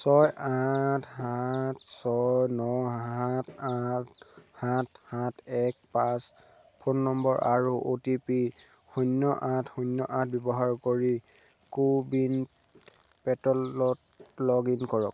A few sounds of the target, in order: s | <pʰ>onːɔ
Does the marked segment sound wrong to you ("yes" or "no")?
no